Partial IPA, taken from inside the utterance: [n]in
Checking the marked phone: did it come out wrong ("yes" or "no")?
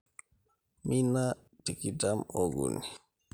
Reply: yes